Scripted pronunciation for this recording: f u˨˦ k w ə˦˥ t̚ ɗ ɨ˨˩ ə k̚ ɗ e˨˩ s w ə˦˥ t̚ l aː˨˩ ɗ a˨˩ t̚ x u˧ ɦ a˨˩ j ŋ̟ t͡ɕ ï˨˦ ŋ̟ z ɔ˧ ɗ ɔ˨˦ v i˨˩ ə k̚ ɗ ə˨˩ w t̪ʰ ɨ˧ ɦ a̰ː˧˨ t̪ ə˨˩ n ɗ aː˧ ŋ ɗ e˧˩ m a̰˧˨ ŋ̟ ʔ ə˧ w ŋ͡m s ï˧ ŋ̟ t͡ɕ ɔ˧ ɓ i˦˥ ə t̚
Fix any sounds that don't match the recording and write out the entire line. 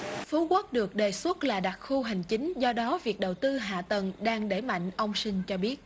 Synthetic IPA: f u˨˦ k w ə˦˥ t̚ ɗ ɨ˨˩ ə k̚ ɗ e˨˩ s w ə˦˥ t̚ l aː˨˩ ɗ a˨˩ t̚ x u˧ ɦ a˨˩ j ŋ̟ t͡ɕ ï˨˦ ŋ̟ z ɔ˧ ɗ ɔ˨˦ v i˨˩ ə k̚ ɗ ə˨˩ w t̪ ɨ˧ ɦ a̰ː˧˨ t̪ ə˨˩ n ɗ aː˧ ŋ ɗ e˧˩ m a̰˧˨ ŋ̟ ʔ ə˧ w ŋ͡m s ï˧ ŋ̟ t͡ɕ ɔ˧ ɓ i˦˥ ə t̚